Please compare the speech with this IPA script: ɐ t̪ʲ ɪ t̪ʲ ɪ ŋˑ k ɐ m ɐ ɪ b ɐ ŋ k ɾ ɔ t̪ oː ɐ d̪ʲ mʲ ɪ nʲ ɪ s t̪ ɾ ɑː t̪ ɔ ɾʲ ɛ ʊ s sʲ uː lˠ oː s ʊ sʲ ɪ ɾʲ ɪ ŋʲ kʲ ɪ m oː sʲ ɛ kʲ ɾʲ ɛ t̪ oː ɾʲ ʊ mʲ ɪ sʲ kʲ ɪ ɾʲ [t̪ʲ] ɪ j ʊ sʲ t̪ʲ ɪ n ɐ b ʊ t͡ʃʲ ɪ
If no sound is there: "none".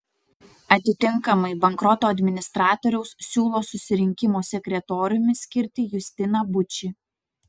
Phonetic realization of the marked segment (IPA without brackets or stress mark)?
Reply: t̪ʲ